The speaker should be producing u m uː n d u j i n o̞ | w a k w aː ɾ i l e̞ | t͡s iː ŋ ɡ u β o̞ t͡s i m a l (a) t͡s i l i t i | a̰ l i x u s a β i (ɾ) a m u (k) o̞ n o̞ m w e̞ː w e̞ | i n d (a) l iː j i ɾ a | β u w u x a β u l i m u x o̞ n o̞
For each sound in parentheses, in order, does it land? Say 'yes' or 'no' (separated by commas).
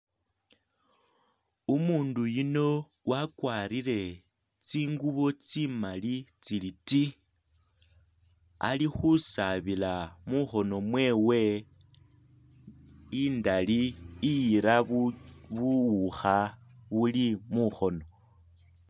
no, no, no, yes